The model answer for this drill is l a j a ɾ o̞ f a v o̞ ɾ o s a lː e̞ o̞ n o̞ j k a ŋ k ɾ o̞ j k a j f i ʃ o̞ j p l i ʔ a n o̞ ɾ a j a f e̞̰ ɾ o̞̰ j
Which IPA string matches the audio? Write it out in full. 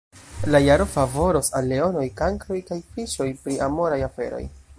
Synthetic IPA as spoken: l a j a ɾ o̞ f a v o̞ ɾ o s a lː e̞ o̞ n o̞ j k a ŋ k ɾ o̞ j k a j f i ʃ o̞ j p ɾ i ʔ a m o̞ ɾ a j a f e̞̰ ɾ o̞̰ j